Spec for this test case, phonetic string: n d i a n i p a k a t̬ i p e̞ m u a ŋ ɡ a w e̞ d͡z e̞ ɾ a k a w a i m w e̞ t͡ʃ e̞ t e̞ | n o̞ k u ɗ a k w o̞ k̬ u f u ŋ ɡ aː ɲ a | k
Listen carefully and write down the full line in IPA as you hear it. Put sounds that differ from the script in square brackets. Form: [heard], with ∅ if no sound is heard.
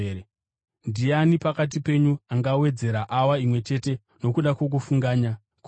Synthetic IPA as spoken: n d i a n i p a k a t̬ i p e̞ [ɲ] u a ŋ ɡ a w e̞ d͡z e̞ ɾ a [ʔ] a w a i m w e̞ t͡ʃ e̞ t e̞ | n o̞ k u ɗ a k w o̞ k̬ u f u ŋ ɡ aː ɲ a | k